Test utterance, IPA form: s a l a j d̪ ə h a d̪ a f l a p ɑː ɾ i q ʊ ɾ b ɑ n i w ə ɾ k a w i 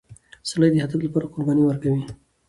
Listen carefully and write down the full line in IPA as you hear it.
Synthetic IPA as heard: s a l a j d̪ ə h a d̪ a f l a p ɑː ɾ a q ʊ ɾ b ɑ n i w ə ɾ k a w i